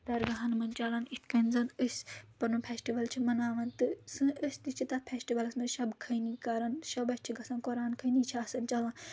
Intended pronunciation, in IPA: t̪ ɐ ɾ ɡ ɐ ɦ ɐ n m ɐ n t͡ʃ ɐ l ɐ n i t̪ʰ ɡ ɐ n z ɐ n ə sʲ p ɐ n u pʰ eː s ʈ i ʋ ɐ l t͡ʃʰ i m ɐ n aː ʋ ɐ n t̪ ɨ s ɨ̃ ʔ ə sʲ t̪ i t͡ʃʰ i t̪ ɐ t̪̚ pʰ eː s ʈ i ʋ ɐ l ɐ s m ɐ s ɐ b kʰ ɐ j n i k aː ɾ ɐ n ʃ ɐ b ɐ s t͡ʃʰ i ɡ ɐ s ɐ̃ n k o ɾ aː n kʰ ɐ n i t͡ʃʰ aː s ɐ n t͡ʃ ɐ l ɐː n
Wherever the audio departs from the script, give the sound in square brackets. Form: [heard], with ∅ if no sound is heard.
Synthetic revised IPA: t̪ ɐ ɾ ɡ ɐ ɦ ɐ n m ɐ n t͡ʃ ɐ l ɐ n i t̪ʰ [k] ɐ n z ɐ n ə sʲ p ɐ n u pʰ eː s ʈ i ʋ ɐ l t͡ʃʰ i m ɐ n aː ʋ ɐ n t̪ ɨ s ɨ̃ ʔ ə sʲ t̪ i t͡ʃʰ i t̪ ɐ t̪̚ pʰ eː s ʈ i ʋ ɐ l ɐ s m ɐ [ʃ] ɐ b kʰ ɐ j n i k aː ɾ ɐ n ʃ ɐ b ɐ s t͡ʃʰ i ɡ ɐ s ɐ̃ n k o ɾ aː n kʰ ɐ n i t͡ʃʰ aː s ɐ n t͡ʃ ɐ l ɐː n